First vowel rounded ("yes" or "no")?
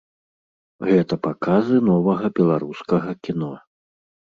no